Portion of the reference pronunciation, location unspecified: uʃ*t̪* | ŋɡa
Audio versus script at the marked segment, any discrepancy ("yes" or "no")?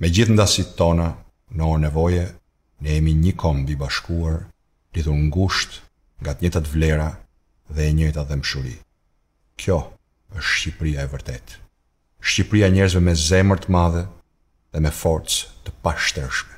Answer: no